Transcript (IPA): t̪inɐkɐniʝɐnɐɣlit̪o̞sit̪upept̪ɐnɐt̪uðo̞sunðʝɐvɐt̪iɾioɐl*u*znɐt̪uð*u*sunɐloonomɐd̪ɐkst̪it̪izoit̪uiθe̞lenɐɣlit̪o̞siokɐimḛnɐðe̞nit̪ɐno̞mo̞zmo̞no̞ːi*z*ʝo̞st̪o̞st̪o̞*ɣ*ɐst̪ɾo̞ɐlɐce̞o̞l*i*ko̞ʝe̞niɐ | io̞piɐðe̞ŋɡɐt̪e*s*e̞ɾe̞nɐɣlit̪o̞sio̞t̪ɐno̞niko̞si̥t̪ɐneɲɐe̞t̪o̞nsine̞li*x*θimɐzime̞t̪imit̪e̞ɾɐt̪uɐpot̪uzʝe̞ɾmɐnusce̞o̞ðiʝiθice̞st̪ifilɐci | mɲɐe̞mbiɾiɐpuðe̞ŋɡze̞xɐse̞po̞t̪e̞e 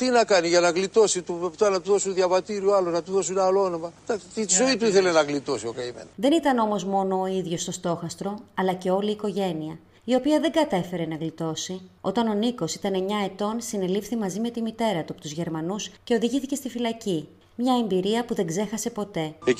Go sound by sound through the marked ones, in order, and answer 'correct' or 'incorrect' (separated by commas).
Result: incorrect, incorrect, incorrect, incorrect, incorrect, incorrect, incorrect